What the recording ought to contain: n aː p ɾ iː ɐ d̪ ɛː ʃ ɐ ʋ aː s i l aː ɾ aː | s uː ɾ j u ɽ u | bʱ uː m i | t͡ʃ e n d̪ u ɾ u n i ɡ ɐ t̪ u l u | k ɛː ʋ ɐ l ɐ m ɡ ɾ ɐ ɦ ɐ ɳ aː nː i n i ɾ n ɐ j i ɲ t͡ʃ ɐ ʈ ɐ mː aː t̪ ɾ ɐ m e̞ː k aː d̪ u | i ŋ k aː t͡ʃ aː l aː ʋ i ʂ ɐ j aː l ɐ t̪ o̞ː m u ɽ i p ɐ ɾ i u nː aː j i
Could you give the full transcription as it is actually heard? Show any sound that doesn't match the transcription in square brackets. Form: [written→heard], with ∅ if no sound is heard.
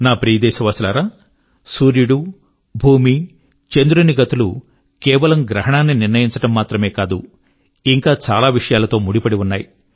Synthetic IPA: n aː p ɾ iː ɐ d̪ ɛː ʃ ɐ ʋ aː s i l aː ɾ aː | s uː ɾ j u ɽ u | bʱ uː m i | t͡ʃ e n d̪ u ɾ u n i ɡ ɐ t̪ u l u | k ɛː ʋ ɐ l ɐ m ɡ ɾ ɐ ɦ ɐ ɳ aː nː i n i ɾ n ɐ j i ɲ t͡ʃ ɐ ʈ ɐ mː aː t̪ ɾ ɐ m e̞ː k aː d̪ u | i ŋ k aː t͡ʃ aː l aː ʋ i ʂ ɐ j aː l ɐ t̪ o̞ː m u ɽ i p ɐ [ɾ→ɽ] i u nː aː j i